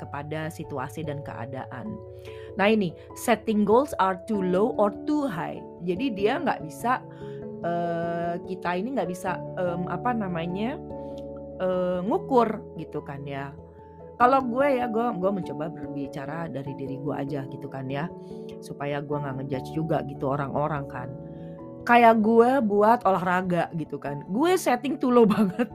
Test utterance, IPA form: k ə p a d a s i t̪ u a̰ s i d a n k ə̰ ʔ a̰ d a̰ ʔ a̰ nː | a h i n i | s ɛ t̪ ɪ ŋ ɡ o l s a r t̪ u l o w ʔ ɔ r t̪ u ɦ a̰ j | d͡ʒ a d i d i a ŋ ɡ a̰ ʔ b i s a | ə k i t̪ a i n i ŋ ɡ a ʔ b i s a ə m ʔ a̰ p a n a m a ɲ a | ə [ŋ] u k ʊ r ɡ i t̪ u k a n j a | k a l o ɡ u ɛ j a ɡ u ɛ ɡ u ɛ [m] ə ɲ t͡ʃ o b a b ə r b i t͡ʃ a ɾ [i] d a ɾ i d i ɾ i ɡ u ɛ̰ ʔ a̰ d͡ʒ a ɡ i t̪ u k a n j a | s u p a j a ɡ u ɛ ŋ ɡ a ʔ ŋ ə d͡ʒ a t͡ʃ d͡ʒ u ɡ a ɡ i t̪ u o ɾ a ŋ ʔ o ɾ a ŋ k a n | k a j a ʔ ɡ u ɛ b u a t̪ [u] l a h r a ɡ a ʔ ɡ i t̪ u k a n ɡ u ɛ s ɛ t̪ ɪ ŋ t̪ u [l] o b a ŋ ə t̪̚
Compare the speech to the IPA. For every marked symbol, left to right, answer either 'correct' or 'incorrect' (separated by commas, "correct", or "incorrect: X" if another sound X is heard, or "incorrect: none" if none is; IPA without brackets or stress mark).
correct, correct, incorrect: a, incorrect: o, correct